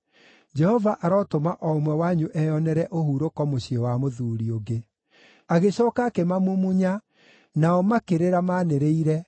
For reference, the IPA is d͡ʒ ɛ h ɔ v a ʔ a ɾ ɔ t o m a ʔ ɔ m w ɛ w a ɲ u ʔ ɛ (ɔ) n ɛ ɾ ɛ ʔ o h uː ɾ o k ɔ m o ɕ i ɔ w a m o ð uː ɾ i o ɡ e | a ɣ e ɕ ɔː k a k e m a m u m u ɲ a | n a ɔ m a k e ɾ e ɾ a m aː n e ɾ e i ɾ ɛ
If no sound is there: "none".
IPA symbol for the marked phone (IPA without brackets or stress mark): ɔ